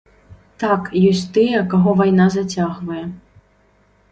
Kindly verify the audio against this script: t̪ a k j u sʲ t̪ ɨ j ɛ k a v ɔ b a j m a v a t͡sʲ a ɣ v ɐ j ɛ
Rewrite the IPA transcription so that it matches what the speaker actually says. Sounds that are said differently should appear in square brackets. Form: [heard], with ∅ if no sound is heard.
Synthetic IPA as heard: t̪ a k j [ɔ] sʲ t̪ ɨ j ɛ k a [ɣ] ɔ [v] a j [n] a [z] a t͡sʲ a ɣ v ɐ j ɛ